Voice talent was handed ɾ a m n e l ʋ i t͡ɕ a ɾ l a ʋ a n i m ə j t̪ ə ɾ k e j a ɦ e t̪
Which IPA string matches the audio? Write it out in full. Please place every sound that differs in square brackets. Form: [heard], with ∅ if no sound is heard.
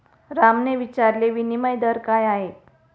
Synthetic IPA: ɾ a m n e [∅] ʋ i t͡ɕ a ɾ l [e] ʋ [i] n i m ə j [d̪] ə ɾ k [a] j a ɦ e t̪